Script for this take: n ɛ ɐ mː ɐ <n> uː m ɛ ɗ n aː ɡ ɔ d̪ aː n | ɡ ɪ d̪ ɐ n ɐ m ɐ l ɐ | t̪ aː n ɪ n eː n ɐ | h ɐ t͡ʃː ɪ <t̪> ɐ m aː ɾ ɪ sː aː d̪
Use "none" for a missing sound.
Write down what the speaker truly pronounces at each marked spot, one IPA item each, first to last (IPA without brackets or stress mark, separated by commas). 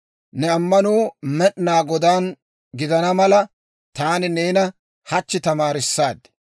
n, t̪